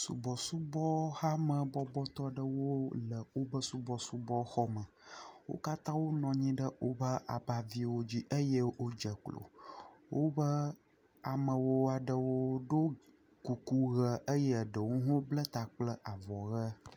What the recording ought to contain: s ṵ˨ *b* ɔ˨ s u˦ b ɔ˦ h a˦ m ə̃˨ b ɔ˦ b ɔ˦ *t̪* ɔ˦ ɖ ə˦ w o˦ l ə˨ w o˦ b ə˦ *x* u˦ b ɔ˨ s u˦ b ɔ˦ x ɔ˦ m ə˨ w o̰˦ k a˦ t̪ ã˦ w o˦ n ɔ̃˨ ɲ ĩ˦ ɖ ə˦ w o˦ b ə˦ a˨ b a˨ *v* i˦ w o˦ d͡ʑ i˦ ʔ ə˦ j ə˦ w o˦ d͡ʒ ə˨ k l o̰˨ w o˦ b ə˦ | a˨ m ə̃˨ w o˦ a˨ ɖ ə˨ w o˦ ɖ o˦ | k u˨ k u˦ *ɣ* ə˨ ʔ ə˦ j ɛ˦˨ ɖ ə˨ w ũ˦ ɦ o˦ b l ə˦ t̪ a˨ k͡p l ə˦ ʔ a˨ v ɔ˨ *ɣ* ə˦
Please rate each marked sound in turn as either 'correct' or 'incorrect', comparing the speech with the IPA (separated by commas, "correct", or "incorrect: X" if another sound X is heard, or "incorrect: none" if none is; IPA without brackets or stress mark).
correct, correct, incorrect: s, correct, correct, correct